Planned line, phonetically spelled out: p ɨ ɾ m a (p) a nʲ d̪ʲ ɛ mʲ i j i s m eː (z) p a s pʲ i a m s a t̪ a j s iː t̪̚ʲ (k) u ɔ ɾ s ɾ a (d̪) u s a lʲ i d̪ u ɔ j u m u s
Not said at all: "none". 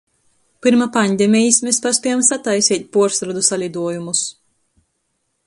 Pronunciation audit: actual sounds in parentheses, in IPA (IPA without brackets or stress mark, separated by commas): p, s, p, d̪